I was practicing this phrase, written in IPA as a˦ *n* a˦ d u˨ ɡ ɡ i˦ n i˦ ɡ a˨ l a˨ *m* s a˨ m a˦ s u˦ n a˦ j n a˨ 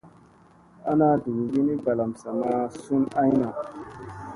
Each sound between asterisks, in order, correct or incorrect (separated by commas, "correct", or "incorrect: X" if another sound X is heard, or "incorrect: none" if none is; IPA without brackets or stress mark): correct, correct